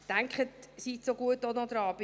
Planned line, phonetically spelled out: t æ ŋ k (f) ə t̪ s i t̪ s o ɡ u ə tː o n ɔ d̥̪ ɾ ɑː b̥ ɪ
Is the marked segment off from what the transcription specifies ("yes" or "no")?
yes